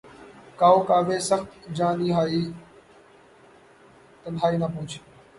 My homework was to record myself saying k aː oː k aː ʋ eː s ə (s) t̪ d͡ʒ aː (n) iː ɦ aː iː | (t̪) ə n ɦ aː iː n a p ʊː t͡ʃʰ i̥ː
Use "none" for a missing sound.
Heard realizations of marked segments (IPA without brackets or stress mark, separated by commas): x, n, t̪